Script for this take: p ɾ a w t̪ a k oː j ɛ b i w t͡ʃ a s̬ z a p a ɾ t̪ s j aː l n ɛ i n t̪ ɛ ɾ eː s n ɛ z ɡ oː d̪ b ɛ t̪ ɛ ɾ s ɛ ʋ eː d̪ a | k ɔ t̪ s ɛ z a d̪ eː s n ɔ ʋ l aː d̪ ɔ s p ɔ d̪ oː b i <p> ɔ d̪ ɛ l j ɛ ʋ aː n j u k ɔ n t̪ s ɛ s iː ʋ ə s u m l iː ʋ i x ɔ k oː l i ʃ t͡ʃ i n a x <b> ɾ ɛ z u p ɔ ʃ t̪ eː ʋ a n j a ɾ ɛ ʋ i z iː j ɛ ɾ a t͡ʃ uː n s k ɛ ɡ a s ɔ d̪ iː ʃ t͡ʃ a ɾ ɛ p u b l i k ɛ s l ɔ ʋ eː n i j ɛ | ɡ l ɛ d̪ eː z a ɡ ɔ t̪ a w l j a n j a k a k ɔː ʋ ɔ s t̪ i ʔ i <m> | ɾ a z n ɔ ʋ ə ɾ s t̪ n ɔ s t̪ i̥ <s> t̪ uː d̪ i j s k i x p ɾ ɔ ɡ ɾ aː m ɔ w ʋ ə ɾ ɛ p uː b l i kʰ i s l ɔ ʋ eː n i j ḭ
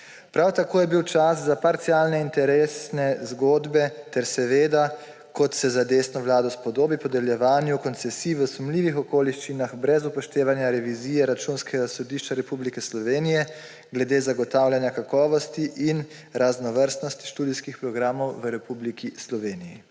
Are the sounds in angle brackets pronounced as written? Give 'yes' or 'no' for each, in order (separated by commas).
yes, yes, no, no